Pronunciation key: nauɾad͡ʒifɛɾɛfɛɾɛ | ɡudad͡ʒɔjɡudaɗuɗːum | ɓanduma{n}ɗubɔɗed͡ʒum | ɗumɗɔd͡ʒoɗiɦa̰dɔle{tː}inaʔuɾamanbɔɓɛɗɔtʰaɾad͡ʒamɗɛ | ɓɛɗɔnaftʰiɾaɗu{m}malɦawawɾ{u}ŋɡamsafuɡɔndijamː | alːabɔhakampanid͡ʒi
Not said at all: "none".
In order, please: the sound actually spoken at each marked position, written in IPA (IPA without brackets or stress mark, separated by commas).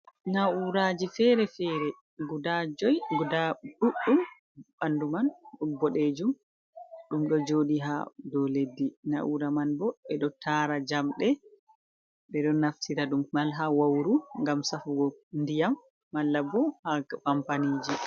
n, dː, m, u